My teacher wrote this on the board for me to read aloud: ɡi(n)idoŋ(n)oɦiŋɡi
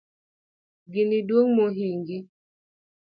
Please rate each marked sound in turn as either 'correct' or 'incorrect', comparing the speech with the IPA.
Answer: correct, incorrect: m

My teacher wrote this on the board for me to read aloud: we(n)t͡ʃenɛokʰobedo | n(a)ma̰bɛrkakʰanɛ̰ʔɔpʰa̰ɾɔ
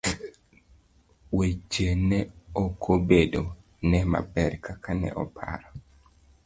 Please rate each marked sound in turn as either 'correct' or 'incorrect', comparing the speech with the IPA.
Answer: incorrect: none, incorrect: ɛ

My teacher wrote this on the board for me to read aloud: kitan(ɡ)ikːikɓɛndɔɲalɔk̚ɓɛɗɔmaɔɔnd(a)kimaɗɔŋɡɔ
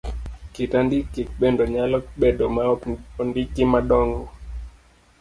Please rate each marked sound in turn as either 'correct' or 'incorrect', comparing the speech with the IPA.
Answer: incorrect: d, incorrect: i

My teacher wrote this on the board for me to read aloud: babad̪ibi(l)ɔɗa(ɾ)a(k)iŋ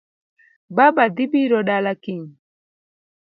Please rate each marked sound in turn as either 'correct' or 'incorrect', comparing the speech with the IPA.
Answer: incorrect: ɾ, incorrect: l, correct

